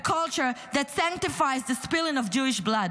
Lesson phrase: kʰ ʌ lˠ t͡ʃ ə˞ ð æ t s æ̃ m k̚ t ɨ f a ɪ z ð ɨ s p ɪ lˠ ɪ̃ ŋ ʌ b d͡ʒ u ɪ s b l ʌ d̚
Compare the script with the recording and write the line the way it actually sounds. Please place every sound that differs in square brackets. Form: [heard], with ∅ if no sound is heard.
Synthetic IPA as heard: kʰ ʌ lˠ t͡ʃ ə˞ ð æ t s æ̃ [ŋ] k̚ t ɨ f a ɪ z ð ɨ s p ɪ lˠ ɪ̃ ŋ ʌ [v] d͡ʒ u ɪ [ʃ] b l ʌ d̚